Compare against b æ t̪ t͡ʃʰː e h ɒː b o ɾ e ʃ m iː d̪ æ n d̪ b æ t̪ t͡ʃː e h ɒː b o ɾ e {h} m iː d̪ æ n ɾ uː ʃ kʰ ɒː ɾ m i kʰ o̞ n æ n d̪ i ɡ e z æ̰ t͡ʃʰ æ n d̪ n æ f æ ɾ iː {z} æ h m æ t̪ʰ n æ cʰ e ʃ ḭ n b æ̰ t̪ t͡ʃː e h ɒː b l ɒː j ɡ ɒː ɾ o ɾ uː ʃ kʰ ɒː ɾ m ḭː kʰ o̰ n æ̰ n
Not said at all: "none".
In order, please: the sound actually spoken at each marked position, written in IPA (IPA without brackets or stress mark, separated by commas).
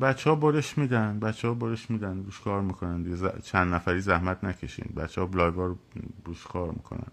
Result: ʃ, z